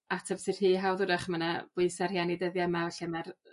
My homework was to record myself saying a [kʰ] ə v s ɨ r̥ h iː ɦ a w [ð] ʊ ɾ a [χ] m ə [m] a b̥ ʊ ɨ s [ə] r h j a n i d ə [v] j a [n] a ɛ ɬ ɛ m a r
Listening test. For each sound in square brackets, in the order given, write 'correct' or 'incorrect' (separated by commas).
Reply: incorrect, correct, correct, incorrect, incorrect, incorrect, incorrect